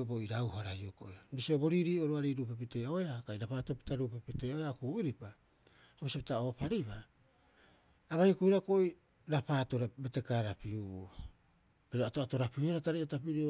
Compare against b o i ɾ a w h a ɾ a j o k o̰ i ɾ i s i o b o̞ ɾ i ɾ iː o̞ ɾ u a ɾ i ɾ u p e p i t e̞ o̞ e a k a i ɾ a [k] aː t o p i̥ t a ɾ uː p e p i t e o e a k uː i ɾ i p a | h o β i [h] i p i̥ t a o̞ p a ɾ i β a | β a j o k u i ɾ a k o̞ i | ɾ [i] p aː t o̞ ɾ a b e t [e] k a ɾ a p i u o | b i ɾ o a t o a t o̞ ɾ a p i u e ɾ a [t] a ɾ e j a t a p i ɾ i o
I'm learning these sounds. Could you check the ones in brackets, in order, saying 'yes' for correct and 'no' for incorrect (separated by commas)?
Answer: no, no, no, yes, yes